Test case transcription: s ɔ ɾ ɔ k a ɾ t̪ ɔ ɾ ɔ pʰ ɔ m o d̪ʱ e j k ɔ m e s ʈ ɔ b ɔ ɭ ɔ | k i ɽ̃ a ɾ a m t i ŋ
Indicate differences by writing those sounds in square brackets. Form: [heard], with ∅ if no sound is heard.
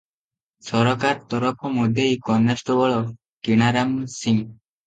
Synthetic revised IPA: s ɔ ɾ ɔ k a ɾ t̪ ɔ ɾ ɔ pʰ ɔ m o d̪ʱ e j k ɔ [n] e s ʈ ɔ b ɔ ɭ ɔ | k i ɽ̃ a ɾ a m [s] i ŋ